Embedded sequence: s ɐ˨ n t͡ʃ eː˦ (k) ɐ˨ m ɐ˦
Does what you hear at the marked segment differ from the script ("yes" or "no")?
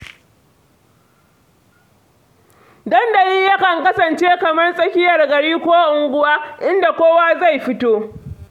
no